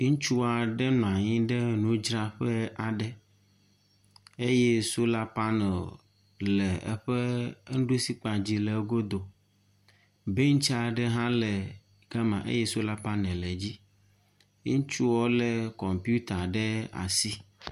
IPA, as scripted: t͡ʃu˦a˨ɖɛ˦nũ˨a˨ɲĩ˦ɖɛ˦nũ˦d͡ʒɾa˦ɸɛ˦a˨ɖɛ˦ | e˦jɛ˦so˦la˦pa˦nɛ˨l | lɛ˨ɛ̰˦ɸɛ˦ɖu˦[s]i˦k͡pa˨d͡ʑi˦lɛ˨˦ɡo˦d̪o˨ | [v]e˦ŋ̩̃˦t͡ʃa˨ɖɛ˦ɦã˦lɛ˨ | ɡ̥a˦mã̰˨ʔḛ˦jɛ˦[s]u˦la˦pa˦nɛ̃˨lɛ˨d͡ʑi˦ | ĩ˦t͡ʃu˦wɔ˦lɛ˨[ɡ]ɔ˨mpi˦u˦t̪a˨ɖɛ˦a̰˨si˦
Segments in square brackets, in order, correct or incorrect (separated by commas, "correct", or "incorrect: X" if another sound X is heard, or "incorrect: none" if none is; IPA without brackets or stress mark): correct, incorrect: b, correct, incorrect: k